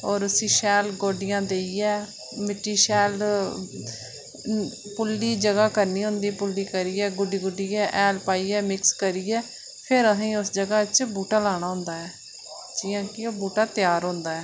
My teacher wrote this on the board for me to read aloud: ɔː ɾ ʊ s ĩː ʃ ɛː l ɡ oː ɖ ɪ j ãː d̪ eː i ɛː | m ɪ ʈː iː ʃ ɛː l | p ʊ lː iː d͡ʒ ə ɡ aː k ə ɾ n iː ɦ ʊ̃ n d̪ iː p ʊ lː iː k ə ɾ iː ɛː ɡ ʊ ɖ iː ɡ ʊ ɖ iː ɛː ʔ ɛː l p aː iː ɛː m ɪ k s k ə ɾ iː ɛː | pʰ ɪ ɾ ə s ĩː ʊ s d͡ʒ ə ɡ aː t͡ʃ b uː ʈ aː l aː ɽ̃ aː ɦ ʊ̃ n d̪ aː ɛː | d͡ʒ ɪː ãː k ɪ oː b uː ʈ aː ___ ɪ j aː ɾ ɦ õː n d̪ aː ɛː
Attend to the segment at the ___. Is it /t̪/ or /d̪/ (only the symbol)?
t̪